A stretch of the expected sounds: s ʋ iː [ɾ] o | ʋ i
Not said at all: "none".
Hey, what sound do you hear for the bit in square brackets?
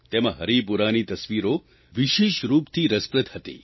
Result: ɾ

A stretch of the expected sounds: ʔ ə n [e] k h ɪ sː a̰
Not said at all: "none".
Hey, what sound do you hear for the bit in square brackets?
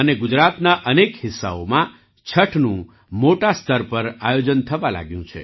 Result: e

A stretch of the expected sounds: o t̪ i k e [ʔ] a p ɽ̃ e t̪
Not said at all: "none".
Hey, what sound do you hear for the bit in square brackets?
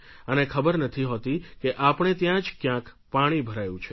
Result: ʔ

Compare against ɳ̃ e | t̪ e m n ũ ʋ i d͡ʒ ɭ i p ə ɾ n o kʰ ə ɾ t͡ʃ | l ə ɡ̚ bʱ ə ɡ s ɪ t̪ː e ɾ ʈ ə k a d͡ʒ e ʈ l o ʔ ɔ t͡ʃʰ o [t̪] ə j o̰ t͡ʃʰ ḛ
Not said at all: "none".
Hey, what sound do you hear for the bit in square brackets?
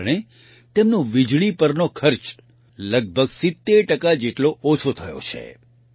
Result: t̪ʰ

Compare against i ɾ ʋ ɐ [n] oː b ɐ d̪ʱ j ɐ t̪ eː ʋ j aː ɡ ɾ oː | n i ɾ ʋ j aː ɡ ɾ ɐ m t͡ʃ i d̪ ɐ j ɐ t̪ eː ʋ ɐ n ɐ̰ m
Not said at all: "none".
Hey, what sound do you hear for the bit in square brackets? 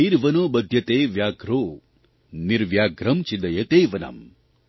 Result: n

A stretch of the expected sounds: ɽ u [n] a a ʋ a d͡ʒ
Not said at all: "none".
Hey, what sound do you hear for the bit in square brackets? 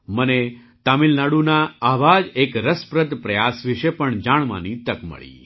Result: n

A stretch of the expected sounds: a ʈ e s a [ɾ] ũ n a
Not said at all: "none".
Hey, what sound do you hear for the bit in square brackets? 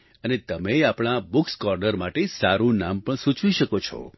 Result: ɾ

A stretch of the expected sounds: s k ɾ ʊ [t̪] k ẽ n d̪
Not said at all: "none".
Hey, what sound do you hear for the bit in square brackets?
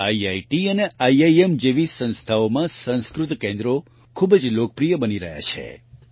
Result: t̪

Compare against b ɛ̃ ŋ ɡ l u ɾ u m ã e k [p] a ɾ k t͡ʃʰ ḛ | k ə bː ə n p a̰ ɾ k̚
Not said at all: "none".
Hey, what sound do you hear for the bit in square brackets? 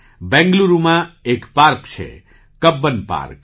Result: p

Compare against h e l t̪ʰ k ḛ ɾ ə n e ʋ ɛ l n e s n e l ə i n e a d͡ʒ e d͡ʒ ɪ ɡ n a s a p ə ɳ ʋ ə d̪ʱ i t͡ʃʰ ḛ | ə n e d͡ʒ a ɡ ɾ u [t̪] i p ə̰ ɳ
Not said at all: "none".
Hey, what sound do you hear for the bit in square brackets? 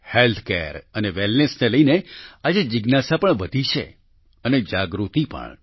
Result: t̪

